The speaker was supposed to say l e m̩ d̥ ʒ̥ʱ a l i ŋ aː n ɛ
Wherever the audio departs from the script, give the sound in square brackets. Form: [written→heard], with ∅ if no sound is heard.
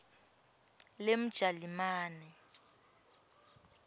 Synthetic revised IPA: l e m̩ d̥ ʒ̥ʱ a l i [ŋ→m] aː n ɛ